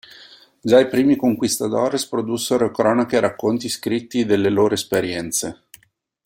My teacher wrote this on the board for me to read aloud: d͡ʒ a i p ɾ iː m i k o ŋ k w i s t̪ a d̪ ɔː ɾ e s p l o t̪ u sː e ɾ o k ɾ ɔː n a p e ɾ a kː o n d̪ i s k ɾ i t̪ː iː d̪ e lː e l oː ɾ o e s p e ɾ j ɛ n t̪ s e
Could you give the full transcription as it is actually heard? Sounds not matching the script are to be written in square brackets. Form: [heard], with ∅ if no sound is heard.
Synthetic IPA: d͡ʒ a i p ɾ iː m i k o ŋ k w i s t̪ a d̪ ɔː ɾ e s p [ɾ] o [d̪] u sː e ɾ o k ɾ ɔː n a [k] e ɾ a kː o n [t̪] i s k ɾ i t̪ː [i] d̪ e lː e l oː ɾ o e s p e ɾ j ɛ n t̪ s e

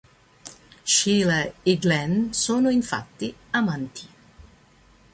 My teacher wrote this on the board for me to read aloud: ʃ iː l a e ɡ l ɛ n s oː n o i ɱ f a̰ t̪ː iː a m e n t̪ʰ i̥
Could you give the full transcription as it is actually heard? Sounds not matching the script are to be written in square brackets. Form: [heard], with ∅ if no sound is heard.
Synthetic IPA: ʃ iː l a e ɡ l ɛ n s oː n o i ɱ f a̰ t̪ː [i] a m [a] n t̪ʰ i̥

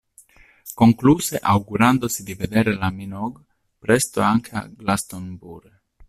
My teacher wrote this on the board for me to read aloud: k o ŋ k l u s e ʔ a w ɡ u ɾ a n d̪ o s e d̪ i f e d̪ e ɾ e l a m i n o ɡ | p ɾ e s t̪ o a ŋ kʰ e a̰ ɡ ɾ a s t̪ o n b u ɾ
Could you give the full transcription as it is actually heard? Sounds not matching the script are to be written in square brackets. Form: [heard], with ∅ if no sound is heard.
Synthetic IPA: k o ŋ k l u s e ʔ a w ɡ u ɾ a n d̪ o s [i] d̪ i [v] e d̪ e ɾ e l a m i n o ɡ | p ɾ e s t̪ o a ŋ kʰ e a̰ ɡ [l] a s t̪ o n b u ɾ

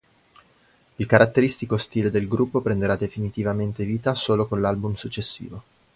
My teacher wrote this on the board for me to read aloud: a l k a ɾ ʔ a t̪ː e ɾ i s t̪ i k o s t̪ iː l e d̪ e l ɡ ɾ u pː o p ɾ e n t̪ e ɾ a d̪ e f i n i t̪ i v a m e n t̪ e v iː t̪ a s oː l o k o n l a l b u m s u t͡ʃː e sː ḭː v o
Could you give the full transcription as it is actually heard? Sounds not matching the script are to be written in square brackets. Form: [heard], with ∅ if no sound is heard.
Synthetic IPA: [i] l k a ɾ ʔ a t̪ː e ɾ i s t̪ i k o s t̪ iː l e d̪ e l ɡ ɾ u pː o p ɾ e n [d̪] e ɾ a d̪ e f i n i t̪ i v a m e n t̪ e v iː t̪ a s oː l o k o n l a l b u m s u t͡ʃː e sː ḭː v o

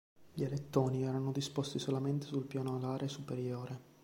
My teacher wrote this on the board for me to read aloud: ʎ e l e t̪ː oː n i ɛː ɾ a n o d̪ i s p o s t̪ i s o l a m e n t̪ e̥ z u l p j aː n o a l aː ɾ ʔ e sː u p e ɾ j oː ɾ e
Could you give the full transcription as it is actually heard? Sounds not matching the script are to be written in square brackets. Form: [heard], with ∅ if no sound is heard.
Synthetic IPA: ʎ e l e t̪ː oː n i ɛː ɾ a n o d̪ i s p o s t̪ i s o l a m e n t̪ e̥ [s] u l p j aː n o a l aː ɾ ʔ e [s] u p e ɾ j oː ɾ e

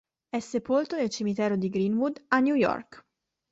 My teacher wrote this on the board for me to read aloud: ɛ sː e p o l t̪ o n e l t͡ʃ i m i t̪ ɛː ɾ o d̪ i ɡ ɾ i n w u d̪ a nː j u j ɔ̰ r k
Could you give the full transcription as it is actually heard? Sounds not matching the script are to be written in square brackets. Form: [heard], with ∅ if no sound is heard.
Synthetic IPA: ɛ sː e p o l t̪ o n e l t͡ʃ i m i t̪ ɛː ɾ o d̪ i ɡ ɾ i n w u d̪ a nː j u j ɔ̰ r k

